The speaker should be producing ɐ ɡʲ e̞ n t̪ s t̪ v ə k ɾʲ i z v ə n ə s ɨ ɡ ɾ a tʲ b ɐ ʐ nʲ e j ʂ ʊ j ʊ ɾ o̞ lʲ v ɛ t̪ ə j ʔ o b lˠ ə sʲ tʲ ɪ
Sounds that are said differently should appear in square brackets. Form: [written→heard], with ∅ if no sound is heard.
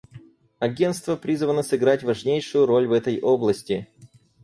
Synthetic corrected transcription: ɐ ɡʲ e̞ n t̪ s t̪ v ə [k→p] ɾʲ i z v ə n ə s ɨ ɡ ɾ a tʲ [b→v] ɐ ʐ nʲ e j ʂ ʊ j ʊ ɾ o̞ lʲ v ɛ t̪ ə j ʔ o b lˠ ə sʲ tʲ ɪ